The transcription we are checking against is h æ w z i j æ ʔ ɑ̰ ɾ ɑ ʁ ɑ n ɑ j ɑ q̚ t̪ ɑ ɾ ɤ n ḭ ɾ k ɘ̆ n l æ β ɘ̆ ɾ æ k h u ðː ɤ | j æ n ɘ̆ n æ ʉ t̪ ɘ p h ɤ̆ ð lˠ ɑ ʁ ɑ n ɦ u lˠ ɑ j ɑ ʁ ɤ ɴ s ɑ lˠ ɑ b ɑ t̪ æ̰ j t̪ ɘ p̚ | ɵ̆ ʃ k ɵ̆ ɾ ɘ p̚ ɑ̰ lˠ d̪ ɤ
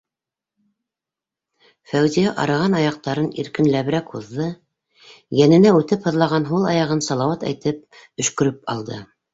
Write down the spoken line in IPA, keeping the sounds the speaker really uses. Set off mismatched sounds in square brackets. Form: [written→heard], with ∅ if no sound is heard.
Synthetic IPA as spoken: [h→f] æ w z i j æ ʔ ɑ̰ ɾ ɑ ʁ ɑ n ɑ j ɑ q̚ t̪ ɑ ɾ ɤ n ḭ ɾ k ɘ̆ n l æ β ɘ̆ ɾ æ k h u ðː ɤ | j æ n ɘ̆ n æ ʉ t̪ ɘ p h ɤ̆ ð lˠ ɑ ʁ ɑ n ɦ u lˠ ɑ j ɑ ʁ ɤ [ɴ→n] s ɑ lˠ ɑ [b→w] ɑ t̪ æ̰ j t̪ ɘ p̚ | ɵ̆ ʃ k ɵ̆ ɾ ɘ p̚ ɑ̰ lˠ d̪ ɤ